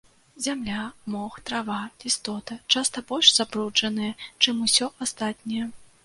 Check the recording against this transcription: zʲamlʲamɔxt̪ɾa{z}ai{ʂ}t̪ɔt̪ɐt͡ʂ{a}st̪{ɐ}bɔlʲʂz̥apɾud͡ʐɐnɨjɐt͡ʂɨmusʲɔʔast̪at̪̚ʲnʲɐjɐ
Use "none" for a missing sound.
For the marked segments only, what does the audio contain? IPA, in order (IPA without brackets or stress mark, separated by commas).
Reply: v, s, a, ɐ